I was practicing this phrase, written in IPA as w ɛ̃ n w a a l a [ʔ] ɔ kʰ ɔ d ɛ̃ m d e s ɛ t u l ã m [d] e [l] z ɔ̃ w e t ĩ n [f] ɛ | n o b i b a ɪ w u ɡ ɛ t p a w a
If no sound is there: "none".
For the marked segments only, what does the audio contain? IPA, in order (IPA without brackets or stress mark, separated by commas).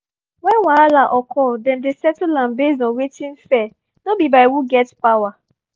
ʔ, b, none, f